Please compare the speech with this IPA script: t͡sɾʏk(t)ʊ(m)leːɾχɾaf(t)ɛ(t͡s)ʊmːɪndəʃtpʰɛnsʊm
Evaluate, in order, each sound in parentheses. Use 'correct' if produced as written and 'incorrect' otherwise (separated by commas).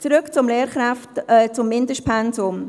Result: incorrect, correct, correct, correct